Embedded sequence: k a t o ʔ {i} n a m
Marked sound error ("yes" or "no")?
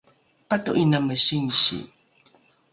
no